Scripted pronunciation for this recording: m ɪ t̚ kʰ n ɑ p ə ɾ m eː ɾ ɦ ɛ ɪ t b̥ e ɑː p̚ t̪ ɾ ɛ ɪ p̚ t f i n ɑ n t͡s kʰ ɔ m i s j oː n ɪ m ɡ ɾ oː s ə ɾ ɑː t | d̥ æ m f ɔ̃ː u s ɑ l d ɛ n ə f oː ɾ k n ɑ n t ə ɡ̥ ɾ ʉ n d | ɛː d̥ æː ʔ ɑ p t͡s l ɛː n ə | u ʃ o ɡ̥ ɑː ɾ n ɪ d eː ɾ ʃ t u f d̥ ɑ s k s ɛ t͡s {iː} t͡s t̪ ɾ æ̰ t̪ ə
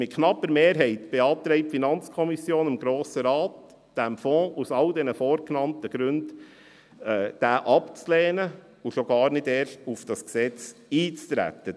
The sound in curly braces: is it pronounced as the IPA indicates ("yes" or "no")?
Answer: yes